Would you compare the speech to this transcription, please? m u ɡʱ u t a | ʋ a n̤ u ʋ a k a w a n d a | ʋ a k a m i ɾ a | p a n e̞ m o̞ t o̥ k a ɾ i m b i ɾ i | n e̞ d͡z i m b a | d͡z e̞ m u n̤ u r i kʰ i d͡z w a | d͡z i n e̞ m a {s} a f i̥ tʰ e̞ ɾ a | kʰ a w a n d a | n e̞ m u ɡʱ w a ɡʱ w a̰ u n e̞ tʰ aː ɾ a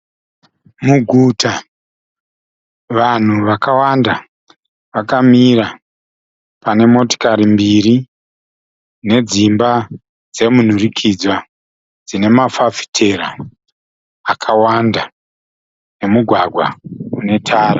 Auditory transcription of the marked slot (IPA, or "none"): f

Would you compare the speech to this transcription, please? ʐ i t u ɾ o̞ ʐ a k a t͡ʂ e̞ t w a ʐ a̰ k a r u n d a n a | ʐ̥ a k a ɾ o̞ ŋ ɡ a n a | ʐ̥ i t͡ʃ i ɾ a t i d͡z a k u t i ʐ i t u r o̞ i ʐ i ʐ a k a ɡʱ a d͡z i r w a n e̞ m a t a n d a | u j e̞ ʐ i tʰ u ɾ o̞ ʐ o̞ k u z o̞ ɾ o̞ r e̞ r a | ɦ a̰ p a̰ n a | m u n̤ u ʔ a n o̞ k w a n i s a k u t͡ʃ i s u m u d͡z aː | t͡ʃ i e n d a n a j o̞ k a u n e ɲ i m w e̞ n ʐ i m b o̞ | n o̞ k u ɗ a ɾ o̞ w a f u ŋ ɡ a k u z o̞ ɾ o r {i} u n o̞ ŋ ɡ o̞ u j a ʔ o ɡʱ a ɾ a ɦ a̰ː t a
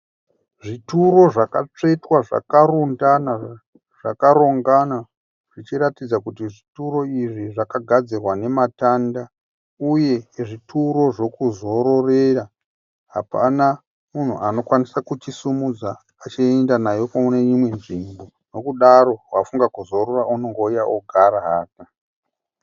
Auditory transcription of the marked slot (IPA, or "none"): a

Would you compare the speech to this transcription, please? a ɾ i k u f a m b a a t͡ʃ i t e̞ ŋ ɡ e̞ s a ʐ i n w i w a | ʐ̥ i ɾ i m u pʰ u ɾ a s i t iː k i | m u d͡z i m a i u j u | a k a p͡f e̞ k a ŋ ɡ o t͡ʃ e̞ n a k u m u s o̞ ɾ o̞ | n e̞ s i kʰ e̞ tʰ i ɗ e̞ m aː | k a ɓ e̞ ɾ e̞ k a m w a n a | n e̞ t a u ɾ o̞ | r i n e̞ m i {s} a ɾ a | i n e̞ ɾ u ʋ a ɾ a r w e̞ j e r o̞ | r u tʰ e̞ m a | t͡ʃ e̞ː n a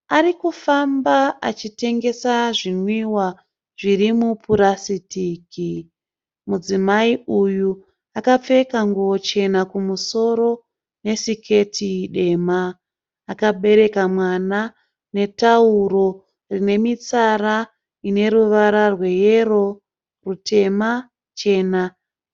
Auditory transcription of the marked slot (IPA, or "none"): t͡s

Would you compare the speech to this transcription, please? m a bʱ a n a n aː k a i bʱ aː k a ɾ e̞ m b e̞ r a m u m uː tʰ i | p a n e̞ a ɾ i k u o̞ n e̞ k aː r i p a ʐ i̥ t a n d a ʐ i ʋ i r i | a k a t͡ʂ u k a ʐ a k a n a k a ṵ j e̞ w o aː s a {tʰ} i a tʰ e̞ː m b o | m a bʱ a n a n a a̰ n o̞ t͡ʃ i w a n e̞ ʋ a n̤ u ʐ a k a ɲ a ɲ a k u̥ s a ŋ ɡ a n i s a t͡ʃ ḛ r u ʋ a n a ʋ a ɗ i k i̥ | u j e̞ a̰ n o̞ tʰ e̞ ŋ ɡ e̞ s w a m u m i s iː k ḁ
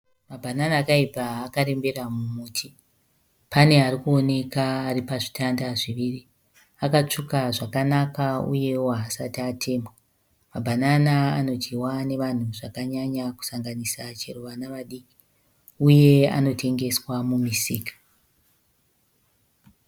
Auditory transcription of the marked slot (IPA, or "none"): t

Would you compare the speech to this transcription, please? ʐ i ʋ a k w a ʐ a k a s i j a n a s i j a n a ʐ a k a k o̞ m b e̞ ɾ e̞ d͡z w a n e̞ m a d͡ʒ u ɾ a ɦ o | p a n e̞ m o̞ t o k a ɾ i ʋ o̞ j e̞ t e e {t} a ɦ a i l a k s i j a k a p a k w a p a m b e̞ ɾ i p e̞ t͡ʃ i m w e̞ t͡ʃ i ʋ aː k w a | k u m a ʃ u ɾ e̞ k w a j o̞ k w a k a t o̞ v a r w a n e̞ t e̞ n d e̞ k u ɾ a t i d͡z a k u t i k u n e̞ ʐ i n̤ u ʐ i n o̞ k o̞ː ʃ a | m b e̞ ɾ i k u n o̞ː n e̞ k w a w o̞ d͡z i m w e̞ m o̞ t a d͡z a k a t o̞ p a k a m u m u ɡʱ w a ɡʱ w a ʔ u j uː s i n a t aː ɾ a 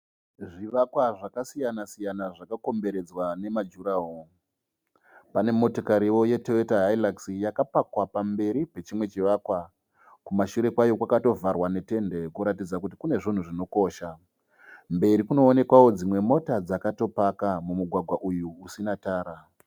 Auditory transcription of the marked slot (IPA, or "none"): t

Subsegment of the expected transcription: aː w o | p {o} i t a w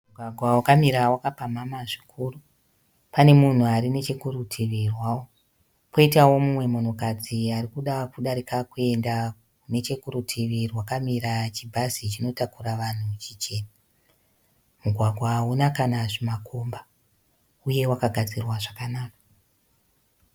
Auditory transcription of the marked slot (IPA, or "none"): o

